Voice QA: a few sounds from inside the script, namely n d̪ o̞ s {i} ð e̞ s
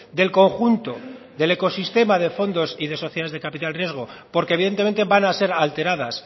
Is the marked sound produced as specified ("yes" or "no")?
yes